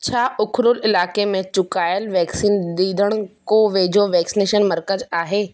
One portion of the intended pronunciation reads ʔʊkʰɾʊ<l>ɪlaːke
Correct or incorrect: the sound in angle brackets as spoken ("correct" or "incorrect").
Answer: correct